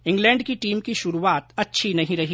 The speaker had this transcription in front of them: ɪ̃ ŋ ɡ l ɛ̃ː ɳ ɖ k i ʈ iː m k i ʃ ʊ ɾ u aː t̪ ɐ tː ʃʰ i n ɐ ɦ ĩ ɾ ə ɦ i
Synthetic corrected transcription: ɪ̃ ŋ ɡ l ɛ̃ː ɳ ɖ k i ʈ iː m k i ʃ ʊ ɾ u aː t̪ ɐ tː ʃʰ i n ɐ ɦ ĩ ɾ ɐ ɦ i